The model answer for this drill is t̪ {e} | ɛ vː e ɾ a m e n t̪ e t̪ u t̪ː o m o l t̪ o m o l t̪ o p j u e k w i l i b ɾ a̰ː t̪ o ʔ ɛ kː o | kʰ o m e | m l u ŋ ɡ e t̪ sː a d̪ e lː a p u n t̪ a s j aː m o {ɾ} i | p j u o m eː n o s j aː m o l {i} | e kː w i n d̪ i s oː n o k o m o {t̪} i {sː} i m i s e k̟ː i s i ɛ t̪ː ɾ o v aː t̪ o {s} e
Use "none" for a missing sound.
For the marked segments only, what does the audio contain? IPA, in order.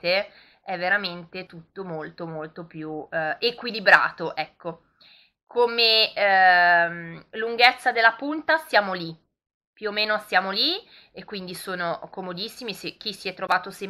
e, l, i, d̪, sː, s

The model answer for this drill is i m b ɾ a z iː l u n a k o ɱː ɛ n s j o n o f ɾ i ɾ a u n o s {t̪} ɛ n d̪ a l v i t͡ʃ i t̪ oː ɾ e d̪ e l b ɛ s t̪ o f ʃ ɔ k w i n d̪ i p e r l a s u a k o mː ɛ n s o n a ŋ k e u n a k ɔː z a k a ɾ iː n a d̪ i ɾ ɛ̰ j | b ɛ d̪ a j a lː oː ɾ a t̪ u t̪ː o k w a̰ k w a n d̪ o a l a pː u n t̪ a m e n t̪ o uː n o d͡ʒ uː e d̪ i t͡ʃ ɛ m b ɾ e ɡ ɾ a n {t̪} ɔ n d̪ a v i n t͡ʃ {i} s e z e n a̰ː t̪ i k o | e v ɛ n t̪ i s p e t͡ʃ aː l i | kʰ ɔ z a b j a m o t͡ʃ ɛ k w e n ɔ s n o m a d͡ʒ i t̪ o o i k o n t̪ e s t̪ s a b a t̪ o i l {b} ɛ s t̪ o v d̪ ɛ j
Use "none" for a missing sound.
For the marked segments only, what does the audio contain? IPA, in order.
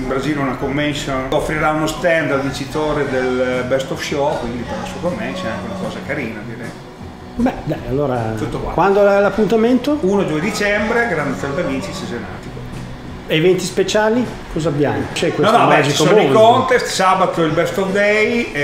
t̪, d̪, i, b

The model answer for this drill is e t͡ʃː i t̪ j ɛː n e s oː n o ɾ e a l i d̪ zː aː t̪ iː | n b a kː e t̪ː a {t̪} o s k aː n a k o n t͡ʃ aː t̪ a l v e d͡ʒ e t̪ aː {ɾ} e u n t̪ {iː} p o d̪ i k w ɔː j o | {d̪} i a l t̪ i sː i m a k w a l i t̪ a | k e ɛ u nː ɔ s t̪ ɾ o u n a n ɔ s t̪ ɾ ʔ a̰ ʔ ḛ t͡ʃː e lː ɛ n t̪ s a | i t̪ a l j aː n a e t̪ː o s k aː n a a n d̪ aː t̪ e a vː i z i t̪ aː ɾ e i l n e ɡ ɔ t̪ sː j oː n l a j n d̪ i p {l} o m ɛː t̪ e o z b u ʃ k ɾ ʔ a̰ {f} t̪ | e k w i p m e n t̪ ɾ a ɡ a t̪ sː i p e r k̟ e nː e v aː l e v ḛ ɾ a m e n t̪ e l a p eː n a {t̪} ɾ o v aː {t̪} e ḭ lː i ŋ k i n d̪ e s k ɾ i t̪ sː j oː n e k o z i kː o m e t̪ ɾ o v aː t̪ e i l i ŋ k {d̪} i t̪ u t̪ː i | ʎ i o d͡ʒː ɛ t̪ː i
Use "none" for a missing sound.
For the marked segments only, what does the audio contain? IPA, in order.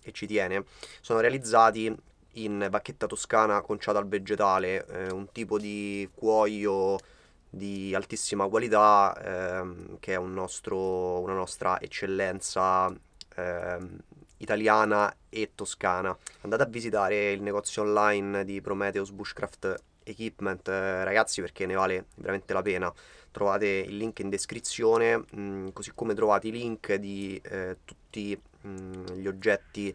t̪, l, iː, d̪, ɾ, f, t̪, t̪, d̪

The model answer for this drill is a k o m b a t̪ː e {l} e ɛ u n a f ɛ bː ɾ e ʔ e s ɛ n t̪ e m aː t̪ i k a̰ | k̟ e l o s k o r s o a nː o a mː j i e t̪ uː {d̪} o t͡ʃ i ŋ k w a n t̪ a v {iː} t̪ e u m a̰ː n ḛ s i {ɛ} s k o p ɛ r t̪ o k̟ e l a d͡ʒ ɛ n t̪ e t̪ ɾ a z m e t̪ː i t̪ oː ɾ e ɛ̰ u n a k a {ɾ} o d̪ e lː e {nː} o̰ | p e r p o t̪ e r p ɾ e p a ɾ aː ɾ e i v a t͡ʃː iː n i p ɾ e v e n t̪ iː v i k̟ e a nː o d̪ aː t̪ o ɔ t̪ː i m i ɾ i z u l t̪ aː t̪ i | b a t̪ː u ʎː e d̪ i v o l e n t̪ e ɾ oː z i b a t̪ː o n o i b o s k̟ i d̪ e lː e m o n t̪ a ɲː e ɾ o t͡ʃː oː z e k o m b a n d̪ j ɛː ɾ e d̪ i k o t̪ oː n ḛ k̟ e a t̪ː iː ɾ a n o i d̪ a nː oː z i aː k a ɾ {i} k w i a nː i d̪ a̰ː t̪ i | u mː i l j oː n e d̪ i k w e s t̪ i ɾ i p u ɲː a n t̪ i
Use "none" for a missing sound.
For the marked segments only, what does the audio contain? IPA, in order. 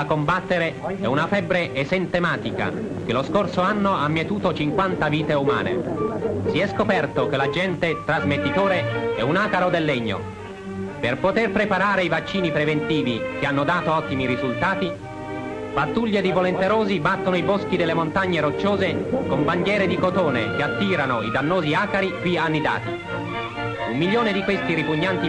ɾ, t̪, iː, ɛ, ɾ, ɲː, i

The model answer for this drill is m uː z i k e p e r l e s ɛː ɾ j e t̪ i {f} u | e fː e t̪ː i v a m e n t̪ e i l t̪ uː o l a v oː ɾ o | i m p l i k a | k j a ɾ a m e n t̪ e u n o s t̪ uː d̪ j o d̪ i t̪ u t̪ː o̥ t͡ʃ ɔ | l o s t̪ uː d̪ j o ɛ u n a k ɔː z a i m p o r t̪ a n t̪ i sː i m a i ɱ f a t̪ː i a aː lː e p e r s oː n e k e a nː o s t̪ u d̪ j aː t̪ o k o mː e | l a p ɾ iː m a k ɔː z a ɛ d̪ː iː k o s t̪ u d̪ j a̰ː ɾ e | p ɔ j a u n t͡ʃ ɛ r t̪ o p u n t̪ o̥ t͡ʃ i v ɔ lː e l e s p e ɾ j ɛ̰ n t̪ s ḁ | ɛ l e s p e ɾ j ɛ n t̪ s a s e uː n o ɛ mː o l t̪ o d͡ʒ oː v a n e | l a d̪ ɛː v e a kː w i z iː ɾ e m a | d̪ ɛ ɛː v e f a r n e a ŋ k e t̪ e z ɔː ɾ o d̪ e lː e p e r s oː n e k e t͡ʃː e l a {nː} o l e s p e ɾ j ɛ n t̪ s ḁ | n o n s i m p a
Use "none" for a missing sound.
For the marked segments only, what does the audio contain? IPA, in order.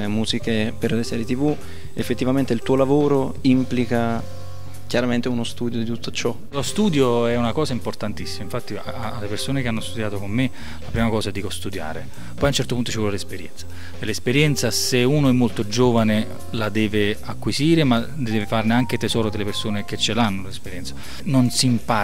v, nː

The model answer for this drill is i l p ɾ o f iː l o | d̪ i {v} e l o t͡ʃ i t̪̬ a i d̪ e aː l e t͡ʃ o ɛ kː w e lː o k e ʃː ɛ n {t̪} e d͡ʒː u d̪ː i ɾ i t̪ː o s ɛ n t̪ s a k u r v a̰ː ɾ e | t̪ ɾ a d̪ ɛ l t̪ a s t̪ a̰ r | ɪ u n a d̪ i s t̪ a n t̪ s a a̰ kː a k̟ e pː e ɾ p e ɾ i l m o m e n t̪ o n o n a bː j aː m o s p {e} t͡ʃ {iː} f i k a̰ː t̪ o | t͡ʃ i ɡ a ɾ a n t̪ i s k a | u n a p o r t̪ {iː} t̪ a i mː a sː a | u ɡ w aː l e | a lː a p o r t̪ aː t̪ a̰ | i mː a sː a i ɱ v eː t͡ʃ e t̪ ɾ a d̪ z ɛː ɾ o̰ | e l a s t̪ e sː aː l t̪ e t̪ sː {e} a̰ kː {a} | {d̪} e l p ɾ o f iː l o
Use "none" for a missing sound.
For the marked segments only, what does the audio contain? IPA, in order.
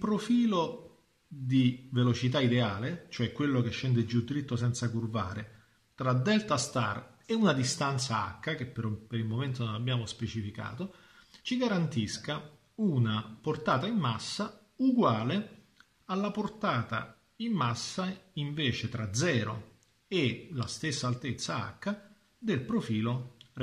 v, d̪, e, i, aː, a, a, d̪

